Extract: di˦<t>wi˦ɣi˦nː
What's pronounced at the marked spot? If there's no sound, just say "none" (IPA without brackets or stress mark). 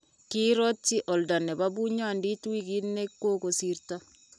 t